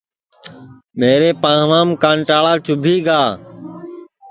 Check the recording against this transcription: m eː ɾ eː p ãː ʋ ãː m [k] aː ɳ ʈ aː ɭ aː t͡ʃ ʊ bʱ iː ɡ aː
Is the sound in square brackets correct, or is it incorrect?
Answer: correct